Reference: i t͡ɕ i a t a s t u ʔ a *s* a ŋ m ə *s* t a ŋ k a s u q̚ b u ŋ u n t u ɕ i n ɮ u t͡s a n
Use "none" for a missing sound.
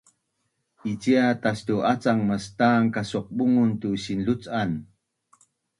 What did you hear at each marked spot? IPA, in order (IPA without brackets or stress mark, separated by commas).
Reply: t͡s, s